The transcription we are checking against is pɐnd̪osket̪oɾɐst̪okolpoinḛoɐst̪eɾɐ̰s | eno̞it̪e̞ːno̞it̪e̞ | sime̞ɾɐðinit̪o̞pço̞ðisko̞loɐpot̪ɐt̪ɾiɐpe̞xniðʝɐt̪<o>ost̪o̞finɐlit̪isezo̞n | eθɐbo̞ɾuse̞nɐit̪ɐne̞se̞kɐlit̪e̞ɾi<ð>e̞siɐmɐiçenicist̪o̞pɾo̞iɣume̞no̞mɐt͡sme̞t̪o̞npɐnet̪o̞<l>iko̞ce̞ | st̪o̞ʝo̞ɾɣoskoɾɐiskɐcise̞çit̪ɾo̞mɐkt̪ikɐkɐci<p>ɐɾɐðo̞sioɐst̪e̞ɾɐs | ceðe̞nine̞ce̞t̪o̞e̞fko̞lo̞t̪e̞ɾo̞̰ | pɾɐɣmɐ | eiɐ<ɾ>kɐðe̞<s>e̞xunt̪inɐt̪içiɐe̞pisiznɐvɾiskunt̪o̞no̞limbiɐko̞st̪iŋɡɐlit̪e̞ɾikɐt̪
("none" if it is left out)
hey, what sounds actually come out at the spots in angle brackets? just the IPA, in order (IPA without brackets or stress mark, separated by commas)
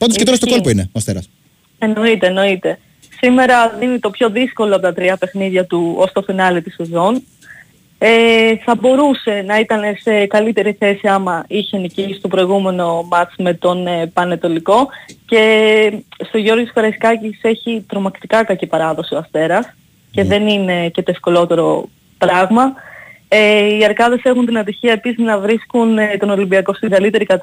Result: u, θ, l, p, ɾ, s